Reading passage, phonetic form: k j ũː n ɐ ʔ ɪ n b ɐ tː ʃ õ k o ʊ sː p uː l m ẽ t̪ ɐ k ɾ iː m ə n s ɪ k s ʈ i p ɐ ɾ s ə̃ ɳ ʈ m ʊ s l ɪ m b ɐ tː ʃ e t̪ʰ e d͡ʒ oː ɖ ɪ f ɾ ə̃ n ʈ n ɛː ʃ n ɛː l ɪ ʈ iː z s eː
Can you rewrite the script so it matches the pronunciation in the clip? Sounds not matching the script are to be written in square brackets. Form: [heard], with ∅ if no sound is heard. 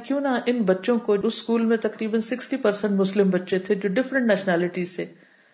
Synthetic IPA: k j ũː n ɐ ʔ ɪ n b ɐ tː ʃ õ k o ʊ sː [k] uː l m ẽ t̪ ɐ k ɾ iː [b] ə n s ɪ k s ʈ i p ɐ ɾ s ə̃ ɳ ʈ m ʊ s l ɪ m b ɐ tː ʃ e t̪ʰ e d͡ʒ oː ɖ ɪ f ɾ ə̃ [ɳ] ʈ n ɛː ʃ n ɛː l ɪ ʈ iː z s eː